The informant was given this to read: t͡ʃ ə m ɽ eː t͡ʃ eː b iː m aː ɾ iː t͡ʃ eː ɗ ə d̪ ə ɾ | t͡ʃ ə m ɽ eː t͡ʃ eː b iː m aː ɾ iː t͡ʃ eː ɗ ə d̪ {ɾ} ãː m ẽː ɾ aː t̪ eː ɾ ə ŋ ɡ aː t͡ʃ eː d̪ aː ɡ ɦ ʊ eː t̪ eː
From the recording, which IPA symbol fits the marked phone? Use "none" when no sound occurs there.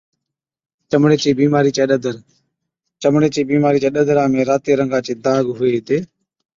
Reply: ɾ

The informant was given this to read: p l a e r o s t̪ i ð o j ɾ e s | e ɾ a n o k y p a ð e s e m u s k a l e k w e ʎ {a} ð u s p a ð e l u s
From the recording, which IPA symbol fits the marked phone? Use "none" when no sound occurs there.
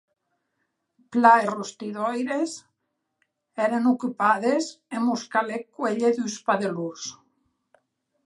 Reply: e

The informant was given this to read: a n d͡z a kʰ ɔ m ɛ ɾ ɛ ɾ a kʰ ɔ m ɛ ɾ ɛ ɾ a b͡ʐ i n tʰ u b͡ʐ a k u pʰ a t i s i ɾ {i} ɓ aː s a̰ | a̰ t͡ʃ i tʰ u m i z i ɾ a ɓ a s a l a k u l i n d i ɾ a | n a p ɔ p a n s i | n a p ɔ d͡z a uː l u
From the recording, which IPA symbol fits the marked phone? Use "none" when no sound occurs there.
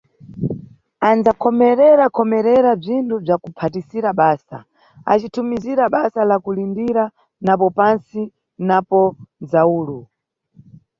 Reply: a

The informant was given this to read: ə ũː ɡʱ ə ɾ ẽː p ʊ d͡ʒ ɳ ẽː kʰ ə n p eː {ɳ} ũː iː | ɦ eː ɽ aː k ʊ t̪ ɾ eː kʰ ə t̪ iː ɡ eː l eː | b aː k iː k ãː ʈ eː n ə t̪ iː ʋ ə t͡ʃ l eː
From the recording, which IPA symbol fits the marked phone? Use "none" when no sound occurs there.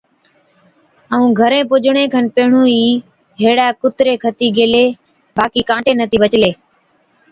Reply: ɳ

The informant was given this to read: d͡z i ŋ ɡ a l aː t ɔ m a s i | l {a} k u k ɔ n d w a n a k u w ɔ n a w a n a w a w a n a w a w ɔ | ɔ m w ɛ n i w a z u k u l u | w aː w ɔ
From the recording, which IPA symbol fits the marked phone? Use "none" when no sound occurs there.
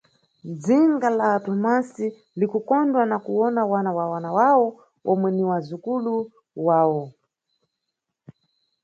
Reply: i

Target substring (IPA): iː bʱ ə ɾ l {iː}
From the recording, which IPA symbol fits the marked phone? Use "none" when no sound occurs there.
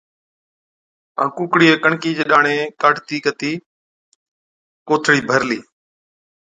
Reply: iː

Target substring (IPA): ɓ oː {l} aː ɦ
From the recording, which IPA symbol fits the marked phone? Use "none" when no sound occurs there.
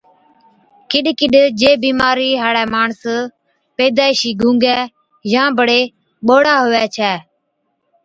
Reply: ɽ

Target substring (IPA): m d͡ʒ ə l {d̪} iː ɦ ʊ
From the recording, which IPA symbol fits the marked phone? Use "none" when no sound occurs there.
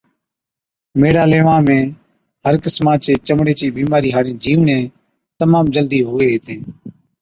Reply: d̪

